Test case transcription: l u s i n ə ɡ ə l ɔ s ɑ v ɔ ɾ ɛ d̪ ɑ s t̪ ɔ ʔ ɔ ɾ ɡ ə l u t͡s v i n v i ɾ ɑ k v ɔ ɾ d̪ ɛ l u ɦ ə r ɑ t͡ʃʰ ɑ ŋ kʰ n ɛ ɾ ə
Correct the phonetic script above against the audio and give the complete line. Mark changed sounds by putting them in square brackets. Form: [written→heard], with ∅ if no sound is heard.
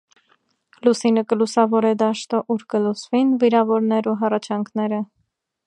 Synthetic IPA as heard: l u s i n ə [ɡ→k] ə l [ɔ→u] s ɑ v ɔ ɾ ɛ d̪ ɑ [s→ʃ] t̪ ɔ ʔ [ɔ→u] ɾ [ɡ→k] ə l u t͡s v i n v i ɾ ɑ [k→∅] v ɔ ɾ [d̪→n̪] ɛ [l→ɾ] u ɦ [ə→ɑ] r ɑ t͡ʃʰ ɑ ŋ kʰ n ɛ ɾ ə